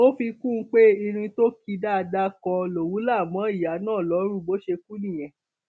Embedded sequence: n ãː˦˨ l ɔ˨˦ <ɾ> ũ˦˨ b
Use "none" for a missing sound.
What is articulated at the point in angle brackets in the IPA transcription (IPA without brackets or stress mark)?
ɾ